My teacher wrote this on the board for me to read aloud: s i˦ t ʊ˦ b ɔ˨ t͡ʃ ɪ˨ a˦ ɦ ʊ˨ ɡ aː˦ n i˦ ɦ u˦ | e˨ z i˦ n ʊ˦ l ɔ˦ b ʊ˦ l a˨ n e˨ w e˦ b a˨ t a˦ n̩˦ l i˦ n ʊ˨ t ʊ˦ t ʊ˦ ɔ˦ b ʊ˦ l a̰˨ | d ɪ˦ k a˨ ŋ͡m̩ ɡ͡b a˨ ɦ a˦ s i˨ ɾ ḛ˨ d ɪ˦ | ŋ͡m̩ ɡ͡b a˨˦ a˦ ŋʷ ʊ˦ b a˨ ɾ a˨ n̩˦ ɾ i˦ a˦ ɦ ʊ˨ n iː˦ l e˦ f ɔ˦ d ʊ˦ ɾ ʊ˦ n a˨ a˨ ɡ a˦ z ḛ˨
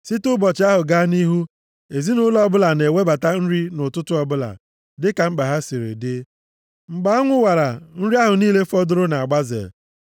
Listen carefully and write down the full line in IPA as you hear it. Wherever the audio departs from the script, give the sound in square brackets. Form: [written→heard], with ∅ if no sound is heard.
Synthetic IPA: s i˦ t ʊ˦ b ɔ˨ t͡ʃ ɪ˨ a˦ ɦ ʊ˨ ɡ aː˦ n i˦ ɦ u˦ | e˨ z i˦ n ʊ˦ l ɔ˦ b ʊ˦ l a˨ n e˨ w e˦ b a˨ t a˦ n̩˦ [l→ɾ] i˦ n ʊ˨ t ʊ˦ t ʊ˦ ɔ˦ b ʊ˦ l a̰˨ | d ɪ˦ k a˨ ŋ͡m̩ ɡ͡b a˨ ɦ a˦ s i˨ ɾ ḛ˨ d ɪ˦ | ŋ͡m̩ ɡ͡b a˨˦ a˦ ŋʷ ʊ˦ [b→w] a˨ ɾ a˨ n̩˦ ɾ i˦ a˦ ɦ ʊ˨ n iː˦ l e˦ f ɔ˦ d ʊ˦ ɾ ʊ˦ n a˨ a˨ [ɡ→ɡ͡b] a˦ z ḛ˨